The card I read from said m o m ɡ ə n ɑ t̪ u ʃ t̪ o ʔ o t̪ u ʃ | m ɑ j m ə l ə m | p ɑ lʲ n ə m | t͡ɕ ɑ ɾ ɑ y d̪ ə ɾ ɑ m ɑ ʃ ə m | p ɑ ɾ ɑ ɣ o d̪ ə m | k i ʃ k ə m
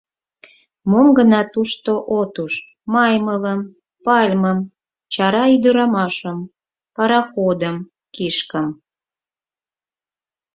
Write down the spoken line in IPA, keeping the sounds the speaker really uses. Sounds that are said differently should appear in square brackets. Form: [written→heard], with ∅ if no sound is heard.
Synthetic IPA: m o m ɡ ə n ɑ t̪ u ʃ t̪ o ʔ o t̪ u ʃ | m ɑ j m ə l ə m | p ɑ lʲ [n→m] ə m | t͡ɕ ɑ ɾ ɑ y d̪ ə ɾ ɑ m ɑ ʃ ə m | p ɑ ɾ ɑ [ɣ→x] o d̪ ə m | k i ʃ k ə m